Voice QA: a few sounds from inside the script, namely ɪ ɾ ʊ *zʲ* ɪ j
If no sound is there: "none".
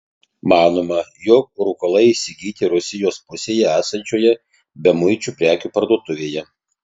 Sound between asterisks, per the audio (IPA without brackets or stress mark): sʲ